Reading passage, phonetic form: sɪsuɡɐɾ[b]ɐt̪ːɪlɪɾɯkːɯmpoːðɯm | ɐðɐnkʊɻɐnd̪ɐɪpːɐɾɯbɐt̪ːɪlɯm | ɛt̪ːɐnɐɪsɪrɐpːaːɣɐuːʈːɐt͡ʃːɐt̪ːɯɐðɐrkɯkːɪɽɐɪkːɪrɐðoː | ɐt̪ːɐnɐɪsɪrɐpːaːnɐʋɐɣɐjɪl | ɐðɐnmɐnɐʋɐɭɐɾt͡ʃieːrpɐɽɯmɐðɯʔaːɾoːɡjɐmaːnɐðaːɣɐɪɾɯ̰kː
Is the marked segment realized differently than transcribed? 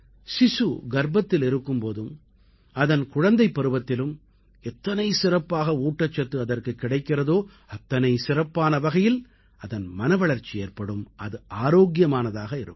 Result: no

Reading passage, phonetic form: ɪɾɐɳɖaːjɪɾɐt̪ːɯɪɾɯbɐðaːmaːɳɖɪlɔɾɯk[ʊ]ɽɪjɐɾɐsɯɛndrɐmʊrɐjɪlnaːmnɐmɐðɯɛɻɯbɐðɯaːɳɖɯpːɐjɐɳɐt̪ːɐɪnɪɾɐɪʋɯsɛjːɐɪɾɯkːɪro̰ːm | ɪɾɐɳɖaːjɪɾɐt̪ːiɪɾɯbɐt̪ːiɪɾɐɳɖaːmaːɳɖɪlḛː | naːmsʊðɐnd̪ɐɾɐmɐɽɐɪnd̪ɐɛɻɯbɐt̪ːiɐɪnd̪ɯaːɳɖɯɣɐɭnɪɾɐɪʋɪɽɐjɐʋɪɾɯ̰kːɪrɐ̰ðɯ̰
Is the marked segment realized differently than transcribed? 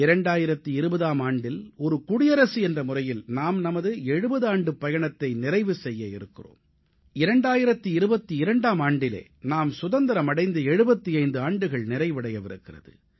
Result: no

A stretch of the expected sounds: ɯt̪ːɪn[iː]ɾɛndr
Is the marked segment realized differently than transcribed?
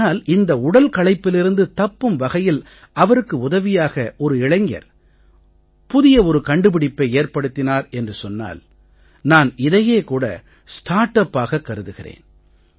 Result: yes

